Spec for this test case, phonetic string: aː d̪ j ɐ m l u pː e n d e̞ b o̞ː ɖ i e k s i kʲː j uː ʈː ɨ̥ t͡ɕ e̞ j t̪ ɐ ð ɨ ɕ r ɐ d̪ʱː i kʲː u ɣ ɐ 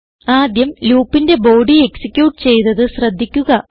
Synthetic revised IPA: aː d̪ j ɐ m l uː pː i n d e̞ b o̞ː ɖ i e k s i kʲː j uː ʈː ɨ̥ t͡ɕ e̞ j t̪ ɐ ð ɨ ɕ r ɐ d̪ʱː i kʲː u ɣ ɐ